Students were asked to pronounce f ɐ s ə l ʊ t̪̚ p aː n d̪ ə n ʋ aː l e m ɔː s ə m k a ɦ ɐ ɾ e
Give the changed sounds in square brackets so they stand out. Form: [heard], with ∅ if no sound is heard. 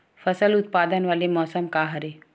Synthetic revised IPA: f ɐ s ə l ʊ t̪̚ p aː [∅] d̪ ə n ʋ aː l e m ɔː s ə m k a ɦ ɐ ɾ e